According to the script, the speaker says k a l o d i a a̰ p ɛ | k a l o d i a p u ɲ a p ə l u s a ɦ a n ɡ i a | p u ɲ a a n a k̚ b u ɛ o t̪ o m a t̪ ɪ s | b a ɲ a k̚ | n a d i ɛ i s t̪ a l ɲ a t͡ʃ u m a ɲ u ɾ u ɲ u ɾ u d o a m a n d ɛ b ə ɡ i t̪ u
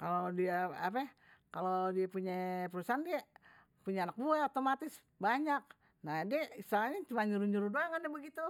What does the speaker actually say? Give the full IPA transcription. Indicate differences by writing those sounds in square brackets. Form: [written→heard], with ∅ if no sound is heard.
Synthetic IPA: k a l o d i a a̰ p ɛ | k a l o d i a p u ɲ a p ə [l→ɾ] u s a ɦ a n [ɡ→d] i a | p u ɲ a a n a k̚ b u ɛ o t̪ o m a t̪ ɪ s | b a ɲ a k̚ | n a d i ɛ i s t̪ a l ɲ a t͡ʃ u m a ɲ u ɾ u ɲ u ɾ u d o a [m→ŋ] a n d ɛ b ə ɡ i t̪ u